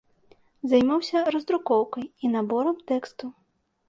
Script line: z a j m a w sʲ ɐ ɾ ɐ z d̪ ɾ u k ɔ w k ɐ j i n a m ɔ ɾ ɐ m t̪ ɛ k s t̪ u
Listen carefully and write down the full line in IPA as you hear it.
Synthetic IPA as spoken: z a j m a w sʲ ɐ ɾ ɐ z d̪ ɾ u k ɔ w k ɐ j i n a b ɔ ɾ ɐ m t̪ ɛ k s t̪ u